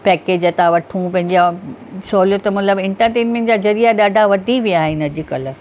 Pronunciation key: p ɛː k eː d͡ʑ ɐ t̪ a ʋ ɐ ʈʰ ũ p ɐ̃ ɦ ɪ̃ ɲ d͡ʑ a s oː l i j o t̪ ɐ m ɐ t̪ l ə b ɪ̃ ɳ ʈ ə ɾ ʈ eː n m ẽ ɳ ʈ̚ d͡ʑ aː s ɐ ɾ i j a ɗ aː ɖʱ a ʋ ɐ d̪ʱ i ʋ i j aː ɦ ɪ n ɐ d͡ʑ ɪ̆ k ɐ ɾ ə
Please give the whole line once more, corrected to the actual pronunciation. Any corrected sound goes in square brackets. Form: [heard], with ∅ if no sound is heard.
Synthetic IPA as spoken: p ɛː k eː d͡ʑ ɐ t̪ a ʋ ɐ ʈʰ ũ p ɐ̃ ɦ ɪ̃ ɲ d͡ʑ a s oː l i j o t̪ ɐ m ɐ t̪ l ə b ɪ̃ ɳ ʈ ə ɾ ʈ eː n m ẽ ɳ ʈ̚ d͡ʑ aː [z] ɐ ɾ i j a ɗ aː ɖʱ a ʋ ɐ d̪ʱ i ʋ i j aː ɦ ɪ n ɐ d͡ʑ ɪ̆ k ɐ [l] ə